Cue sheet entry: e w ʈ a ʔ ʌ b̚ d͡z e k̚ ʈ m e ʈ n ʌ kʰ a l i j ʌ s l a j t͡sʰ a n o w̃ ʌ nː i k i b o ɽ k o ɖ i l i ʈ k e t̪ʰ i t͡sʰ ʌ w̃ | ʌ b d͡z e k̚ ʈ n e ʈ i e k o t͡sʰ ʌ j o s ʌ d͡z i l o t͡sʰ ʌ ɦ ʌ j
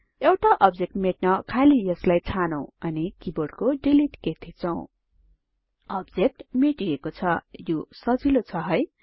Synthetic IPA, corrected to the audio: e w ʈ a ʔ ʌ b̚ d͡z e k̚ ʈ m e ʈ n ʌ kʰ a l i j ʌ s l a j t͡sʰ a n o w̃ ʌ n i k i b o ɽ k o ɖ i l i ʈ k e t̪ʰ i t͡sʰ ʌ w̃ | ʌ b d͡z e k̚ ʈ m e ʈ i e k o t͡sʰ ʌ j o s ʌ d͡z i l o t͡sʰ ʌ ɦ ʌ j